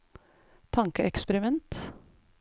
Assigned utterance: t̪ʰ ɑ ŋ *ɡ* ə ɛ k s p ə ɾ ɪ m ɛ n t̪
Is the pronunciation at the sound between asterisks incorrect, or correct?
incorrect: k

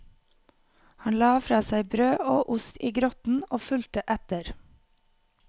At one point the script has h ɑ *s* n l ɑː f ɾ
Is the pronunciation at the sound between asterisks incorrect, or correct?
incorrect: none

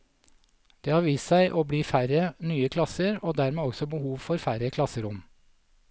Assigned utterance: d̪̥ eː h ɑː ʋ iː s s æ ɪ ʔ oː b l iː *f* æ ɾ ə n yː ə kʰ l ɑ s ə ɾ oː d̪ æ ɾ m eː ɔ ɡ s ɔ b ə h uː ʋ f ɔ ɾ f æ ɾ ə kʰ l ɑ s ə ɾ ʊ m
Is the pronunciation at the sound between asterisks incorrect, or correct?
correct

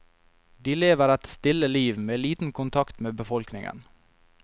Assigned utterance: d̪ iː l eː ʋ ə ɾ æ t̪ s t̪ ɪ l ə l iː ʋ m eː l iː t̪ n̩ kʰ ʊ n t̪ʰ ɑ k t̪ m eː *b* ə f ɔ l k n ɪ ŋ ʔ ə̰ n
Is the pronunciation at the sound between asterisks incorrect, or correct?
correct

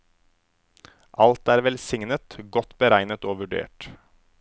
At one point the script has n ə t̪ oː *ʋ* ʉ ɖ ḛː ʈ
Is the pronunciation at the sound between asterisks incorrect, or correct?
correct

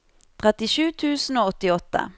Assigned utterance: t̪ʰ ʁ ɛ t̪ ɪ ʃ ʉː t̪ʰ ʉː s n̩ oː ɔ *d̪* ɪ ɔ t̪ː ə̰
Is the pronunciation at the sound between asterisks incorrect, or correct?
incorrect: t̪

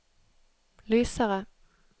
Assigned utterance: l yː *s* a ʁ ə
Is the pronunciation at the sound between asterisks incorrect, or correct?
correct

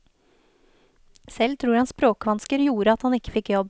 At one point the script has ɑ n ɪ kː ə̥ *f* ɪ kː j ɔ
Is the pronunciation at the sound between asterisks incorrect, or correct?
correct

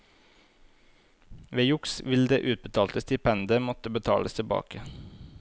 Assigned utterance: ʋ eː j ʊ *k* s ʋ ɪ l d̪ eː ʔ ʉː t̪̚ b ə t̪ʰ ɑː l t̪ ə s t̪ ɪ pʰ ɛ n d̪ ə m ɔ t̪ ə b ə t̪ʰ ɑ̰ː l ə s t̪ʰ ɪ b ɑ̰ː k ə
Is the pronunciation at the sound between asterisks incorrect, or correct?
correct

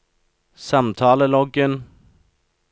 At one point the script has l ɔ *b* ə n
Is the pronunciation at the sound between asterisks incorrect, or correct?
incorrect: ɡ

